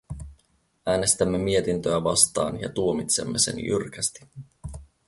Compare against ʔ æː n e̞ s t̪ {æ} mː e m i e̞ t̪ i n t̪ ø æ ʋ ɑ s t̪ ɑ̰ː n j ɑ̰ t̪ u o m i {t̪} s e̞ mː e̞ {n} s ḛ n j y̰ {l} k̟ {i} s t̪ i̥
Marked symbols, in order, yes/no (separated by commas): yes, yes, no, no, no